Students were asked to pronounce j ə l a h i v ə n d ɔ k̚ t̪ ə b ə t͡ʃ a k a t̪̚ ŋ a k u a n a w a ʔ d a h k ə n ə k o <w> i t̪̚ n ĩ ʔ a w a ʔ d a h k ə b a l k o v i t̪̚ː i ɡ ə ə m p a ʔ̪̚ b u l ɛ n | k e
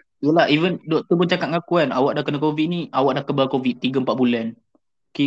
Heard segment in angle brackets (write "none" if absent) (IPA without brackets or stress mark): v